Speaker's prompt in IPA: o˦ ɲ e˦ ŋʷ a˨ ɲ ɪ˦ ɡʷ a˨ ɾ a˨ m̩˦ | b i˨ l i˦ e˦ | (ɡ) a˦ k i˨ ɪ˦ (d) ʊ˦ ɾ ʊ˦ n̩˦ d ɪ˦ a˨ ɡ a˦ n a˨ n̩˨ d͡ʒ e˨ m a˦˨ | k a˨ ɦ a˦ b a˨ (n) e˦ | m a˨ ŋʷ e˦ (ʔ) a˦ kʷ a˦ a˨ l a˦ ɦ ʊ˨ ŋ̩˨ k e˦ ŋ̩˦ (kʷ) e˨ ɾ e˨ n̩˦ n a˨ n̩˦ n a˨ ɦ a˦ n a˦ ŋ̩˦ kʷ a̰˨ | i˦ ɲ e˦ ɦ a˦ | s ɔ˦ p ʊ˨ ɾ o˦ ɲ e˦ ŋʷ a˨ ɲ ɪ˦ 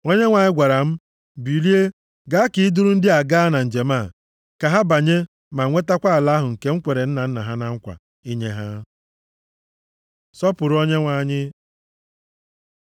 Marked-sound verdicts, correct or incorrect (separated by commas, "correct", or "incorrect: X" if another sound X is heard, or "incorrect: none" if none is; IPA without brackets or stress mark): correct, correct, incorrect: ɲ, incorrect: t, correct